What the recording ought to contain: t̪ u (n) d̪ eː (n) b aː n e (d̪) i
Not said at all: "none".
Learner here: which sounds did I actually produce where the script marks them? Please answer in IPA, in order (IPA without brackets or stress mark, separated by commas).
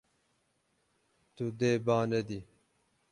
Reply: none, none, d̪